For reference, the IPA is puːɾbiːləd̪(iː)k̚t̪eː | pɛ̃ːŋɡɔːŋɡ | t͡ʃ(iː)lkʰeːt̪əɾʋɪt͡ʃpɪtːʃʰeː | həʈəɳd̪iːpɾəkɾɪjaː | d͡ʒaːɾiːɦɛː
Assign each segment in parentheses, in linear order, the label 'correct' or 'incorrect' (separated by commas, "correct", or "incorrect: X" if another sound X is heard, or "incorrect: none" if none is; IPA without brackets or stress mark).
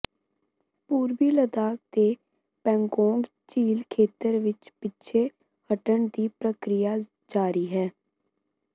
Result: incorrect: aː, correct